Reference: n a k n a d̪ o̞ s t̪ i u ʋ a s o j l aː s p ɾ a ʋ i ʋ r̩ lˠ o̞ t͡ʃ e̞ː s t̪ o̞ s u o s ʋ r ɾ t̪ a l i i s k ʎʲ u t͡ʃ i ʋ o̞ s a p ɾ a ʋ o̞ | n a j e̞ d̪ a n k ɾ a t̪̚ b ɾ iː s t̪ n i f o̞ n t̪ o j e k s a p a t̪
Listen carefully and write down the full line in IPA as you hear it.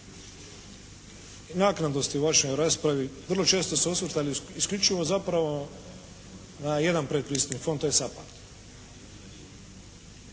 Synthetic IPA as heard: n a k n a d̪ o̞ s t̪ i u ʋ a ʃ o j ɾ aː s p ɾ a ʋ i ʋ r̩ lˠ o̞ t͡ʃ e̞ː s t̪ o̞ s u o s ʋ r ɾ t̪ a l i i s k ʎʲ u t͡ʃ i ʋ o̞ z a p ɾ a ʋ o̞ | n a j e̞ d̪ a n p ɾ e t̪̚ p ɾ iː s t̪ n i f o̞ n t̪ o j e s a p a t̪